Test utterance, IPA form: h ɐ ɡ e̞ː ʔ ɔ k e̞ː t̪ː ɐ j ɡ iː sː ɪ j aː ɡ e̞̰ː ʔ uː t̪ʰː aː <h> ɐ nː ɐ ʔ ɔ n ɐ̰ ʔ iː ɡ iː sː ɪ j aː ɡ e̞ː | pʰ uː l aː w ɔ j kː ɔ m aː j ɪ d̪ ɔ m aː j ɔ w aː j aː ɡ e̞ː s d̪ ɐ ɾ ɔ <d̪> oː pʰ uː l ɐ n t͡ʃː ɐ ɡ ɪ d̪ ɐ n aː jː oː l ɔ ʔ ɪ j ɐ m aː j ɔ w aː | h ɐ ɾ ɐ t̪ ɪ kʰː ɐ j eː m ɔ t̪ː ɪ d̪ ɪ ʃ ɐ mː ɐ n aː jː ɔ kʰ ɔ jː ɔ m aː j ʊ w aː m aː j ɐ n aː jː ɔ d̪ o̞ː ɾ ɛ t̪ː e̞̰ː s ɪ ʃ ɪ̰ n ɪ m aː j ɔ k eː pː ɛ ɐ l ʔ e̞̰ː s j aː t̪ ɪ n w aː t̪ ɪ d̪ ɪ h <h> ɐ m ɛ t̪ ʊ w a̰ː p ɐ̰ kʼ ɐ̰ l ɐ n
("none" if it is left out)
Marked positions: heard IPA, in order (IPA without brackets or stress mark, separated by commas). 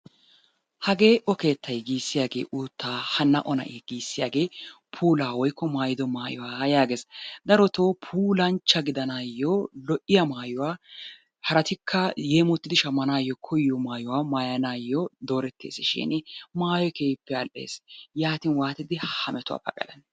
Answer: h, t̪, h